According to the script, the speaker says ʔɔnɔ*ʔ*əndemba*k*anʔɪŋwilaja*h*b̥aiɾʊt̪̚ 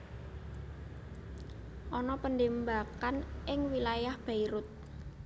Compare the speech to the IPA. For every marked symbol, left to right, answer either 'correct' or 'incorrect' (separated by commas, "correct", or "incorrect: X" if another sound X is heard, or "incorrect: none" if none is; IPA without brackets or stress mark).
incorrect: p, correct, correct